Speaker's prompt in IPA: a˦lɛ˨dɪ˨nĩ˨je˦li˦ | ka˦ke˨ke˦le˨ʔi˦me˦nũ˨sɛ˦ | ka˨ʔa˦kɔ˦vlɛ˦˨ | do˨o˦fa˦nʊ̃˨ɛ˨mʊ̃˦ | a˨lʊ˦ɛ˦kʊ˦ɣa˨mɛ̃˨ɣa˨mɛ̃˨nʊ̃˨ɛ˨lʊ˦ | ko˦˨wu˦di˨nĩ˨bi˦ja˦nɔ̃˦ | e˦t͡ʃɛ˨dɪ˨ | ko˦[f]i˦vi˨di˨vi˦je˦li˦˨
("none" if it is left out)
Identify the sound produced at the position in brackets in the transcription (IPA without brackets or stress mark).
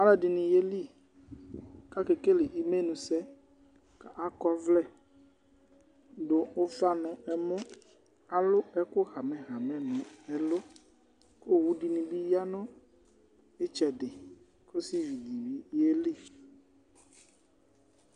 s